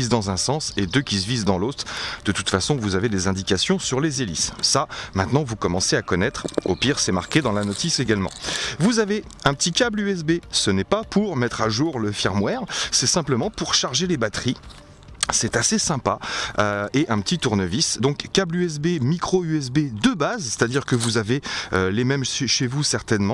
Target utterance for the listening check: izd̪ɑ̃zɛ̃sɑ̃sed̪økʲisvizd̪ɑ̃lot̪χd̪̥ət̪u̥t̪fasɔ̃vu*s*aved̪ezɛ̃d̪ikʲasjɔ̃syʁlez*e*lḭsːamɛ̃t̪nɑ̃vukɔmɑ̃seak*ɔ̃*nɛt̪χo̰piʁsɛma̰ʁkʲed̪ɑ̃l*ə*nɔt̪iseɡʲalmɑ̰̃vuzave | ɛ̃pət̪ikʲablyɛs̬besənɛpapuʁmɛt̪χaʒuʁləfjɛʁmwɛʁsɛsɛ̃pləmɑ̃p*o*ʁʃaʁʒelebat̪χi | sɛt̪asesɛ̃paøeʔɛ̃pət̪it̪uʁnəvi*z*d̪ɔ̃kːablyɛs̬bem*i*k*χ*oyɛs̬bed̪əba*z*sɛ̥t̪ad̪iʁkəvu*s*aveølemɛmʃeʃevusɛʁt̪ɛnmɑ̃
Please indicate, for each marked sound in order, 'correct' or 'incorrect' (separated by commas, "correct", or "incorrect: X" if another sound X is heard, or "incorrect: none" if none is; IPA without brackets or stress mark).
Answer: incorrect: z, correct, incorrect: ɔ, incorrect: a, incorrect: u, incorrect: s, correct, correct, correct, incorrect: z